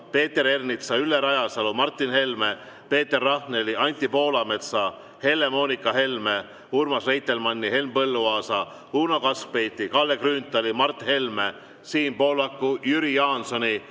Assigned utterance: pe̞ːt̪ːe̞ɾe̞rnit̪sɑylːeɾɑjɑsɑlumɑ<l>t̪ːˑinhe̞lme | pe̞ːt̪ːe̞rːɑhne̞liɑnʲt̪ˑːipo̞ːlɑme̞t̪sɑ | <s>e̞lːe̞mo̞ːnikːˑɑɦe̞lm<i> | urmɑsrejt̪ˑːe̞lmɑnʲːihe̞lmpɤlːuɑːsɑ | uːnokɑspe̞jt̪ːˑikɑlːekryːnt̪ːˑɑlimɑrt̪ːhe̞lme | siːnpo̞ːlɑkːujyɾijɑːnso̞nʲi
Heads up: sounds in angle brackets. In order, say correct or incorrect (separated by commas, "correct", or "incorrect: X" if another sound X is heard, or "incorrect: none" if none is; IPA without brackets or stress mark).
incorrect: r, incorrect: h, incorrect: e